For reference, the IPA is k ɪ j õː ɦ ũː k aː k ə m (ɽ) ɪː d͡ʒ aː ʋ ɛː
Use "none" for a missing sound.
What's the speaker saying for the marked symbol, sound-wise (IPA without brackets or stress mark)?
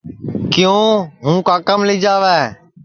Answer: l